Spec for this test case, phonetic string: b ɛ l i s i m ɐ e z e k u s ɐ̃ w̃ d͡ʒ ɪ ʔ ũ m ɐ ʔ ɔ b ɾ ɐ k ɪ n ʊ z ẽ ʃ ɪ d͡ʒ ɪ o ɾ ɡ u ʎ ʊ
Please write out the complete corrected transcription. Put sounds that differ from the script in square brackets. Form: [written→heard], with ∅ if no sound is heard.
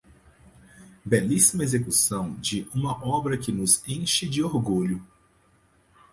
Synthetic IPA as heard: b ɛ l i s i m ɐ e z e k u s ɐ̃ w̃ d͡ʒ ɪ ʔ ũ m ɐ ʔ ɔ b ɾ ɐ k ɪ n ʊ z ẽ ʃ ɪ d͡ʒ ɪ o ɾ ɡ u ʎ ʊ